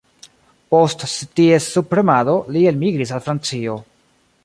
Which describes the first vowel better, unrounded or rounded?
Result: rounded